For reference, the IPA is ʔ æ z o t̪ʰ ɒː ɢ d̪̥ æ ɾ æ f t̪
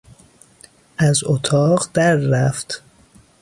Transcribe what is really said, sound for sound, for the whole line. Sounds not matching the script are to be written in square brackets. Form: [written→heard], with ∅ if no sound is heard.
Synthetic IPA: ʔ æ z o t̪ʰ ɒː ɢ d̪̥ æ [ɾ→ɾː] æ f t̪

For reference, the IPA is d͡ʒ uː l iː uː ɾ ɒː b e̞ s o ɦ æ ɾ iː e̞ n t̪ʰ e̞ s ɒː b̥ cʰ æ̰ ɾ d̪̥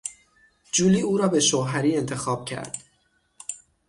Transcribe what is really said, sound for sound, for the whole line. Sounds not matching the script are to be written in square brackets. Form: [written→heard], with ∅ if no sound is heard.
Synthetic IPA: d͡ʒ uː l iː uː ɾ ɒː b e̞ [s→ʃ] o ɦ æ ɾ iː e̞ n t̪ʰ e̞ [s→x] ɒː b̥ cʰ æ̰ ɾ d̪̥

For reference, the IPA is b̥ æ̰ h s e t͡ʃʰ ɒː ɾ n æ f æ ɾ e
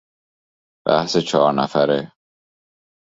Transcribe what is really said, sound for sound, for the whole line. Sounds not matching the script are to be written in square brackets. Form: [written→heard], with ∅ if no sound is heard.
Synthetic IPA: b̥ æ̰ h s e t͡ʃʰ ɒː ɾ n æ f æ ɾ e

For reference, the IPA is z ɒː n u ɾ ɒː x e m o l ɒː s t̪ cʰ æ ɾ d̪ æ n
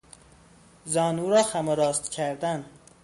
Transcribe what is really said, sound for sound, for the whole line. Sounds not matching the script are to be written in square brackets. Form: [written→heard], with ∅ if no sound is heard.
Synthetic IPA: z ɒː n u ɾ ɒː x [e→æ] m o [l→ɾ] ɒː s t̪ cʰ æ ɾ d̪ æ n

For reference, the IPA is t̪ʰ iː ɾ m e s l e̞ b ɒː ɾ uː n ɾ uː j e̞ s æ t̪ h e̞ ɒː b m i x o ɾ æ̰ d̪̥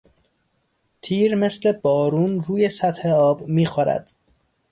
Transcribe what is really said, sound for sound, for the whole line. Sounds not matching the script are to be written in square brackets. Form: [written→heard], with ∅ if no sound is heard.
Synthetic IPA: t̪ʰ iː ɾ m e s l e̞ b ɒː ɾ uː n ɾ uː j e̞ s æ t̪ h e̞ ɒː b m [i→iː] x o ɾ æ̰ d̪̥

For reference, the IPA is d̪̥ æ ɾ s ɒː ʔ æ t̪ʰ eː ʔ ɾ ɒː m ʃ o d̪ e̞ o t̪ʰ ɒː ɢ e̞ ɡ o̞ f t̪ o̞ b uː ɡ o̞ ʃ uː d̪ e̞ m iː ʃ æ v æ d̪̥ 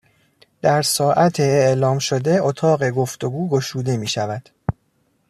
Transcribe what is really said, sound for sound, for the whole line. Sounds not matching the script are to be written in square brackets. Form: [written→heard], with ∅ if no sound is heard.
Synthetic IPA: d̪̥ æ ɾ s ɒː ʔ æ t̪ʰ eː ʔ [ɾ→l] ɒː m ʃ o d̪ e̞ o t̪ʰ ɒː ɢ e̞ ɡ o̞ f t̪ o̞ [b→ɡ] uː ɡ o̞ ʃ uː d̪ e̞ m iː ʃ æ v æ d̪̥

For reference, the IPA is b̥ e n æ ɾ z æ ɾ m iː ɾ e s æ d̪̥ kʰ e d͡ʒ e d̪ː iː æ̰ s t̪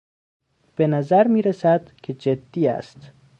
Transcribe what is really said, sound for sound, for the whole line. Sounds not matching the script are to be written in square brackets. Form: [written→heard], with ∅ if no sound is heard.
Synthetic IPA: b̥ e n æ [ɾ→∅] z æ ɾ m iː ɾ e s æ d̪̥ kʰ e d͡ʒ e d̪ː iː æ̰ s t̪

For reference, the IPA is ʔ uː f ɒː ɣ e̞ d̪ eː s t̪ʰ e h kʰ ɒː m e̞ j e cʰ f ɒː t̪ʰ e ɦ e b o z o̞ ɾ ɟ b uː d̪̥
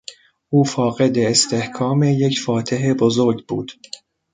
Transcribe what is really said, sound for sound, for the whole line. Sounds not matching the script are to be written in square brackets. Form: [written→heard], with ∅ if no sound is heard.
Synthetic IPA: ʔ uː f ɒː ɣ e̞ d̪ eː s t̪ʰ e h kʰ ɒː m e̞ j e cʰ f ɒː t̪ʰ e ɦ e b o z o̞ ɾ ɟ b uː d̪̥

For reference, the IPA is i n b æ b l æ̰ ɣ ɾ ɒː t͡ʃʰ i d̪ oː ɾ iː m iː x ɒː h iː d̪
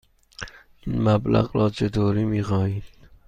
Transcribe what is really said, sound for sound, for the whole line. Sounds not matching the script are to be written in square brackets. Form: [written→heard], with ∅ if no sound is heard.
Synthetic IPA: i n [b→m] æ b l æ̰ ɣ ɾ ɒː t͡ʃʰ [i→e] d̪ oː ɾ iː m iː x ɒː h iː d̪

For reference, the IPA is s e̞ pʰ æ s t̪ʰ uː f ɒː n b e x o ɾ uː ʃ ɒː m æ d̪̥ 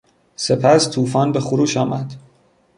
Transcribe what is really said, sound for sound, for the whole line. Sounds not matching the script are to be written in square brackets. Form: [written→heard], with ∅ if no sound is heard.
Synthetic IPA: s e̞ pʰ æ s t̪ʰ uː f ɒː n b e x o ɾ uː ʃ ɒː m æ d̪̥

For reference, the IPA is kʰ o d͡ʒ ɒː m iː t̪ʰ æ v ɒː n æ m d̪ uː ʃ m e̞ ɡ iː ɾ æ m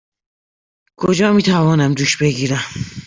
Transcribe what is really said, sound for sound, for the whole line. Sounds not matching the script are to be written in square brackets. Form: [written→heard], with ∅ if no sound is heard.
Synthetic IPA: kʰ o d͡ʒ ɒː m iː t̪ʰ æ v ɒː n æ m d̪ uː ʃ [m→b] e̞ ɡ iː ɾ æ m

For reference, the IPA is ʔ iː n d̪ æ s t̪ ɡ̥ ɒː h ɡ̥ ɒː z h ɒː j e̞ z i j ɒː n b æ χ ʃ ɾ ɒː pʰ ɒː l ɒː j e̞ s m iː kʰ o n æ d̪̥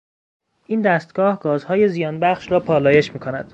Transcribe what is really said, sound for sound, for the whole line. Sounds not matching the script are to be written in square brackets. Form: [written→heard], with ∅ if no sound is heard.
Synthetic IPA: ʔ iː n d̪ æ s t̪ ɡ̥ ɒː h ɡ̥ ɒː z h ɒː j e̞ z i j ɒː n b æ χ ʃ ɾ ɒː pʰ ɒː l ɒː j e̞ [s→ʃ] m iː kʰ o n æ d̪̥

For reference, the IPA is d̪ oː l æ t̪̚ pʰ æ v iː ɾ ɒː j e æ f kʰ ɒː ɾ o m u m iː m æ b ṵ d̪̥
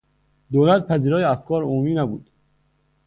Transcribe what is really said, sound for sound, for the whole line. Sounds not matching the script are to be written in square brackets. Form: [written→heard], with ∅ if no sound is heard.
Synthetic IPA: d̪ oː l æ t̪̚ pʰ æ [v→z] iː ɾ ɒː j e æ f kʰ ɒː ɾ o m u m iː [m→n] æ b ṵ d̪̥

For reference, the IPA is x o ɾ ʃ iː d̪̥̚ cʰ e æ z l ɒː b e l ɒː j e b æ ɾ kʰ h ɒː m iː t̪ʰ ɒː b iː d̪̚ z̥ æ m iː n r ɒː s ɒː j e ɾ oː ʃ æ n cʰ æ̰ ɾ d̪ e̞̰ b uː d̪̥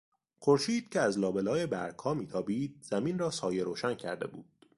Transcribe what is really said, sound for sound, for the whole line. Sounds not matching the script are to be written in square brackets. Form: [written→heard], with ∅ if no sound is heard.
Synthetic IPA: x o ɾ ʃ iː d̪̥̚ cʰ e æ z l ɒː b e l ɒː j e b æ ɾ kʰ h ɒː m iː t̪ʰ ɒː b iː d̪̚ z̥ æ m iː n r ɒː s ɒː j e ɾ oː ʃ æ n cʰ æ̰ ɾ d̪ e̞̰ b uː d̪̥

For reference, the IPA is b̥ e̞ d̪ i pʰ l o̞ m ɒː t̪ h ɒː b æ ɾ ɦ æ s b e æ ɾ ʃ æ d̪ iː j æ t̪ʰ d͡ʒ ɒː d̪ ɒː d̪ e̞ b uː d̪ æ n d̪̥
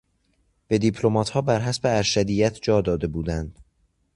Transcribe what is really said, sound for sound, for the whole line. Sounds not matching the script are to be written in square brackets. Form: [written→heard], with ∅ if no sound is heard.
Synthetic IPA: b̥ e̞ d̪ i pʰ l o̞ m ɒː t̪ h ɒː b æ ɾ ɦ æ s b e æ ɾ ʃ æ d̪ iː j æ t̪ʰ d͡ʒ ɒː d̪ ɒː d̪ e̞ b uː d̪ æ n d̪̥

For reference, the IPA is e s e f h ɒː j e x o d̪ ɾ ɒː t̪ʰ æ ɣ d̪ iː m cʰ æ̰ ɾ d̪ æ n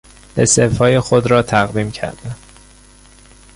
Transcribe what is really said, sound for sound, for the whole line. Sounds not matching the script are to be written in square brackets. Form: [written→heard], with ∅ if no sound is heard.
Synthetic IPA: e s e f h ɒː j e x o d̪ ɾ ɒː t̪ʰ æ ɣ d̪ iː m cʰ æ̰ ɾ d̪ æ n

